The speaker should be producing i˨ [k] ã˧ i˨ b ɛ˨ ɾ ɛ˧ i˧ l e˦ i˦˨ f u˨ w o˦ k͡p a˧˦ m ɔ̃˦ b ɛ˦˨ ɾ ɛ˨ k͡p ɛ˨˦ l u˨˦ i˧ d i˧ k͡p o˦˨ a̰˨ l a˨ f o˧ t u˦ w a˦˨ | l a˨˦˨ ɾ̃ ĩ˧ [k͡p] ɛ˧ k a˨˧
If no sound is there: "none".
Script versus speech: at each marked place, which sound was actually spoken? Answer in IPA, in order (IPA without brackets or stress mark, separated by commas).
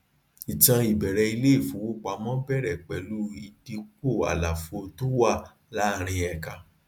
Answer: t, none